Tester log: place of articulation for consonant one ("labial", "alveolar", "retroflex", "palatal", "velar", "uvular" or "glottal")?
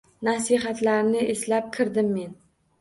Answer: alveolar